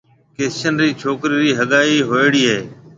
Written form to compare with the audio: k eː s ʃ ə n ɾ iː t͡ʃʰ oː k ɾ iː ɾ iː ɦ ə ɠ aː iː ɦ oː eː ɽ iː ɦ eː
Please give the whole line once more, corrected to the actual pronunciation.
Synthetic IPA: k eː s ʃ ə n ɾ iː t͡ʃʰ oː k ɾ iː ɾ iː ɦ ə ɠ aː iː ɦ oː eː ɽ iː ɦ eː